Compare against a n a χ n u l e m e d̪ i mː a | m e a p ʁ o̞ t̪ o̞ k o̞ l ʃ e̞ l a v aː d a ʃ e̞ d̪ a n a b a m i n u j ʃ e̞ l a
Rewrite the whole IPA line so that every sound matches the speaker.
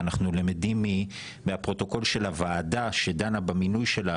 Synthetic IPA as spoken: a n a χ n u l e m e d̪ i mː i | m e a p ʁ o̞ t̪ o̞ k o̞ l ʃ e̞ l a v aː d a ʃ e̞ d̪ a n a b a m i n u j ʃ e̞ l a